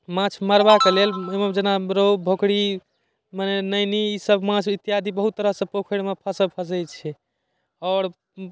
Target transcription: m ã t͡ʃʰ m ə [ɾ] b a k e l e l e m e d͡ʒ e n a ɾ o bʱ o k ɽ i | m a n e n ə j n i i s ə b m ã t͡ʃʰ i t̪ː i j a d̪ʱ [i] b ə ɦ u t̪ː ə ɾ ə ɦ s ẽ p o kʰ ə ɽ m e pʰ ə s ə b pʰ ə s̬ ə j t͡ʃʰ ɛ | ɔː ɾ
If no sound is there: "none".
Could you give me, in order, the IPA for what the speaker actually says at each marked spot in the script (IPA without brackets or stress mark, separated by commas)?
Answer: ɾ, i